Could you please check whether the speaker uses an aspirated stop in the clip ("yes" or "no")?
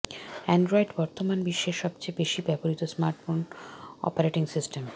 no